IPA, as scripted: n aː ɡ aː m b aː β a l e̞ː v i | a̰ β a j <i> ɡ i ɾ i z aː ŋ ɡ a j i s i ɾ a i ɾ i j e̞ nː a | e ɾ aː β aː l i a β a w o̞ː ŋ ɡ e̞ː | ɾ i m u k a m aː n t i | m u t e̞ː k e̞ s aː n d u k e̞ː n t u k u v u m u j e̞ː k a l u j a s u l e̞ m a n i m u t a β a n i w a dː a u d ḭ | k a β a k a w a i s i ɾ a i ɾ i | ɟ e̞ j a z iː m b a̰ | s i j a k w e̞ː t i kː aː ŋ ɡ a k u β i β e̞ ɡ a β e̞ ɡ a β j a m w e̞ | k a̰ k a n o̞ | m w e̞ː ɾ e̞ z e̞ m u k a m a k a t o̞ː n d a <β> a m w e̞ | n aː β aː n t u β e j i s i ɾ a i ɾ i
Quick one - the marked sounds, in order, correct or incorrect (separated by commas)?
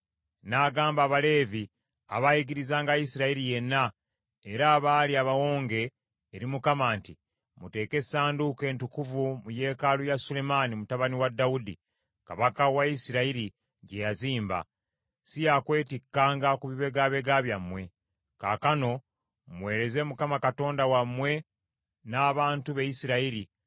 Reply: correct, incorrect